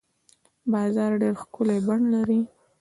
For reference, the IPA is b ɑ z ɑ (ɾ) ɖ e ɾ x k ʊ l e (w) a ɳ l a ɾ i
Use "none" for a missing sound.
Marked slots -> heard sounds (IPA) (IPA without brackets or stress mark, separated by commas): ɾ, b